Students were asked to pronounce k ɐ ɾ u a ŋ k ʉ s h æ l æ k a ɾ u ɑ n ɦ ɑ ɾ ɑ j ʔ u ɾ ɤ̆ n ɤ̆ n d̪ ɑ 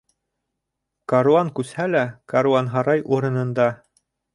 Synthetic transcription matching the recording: k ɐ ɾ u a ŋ k ʉ s h æ l æ k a ɾ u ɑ n ɦ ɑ ɾ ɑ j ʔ u ɾ ɤ̆ n ɤ̆ n d̪ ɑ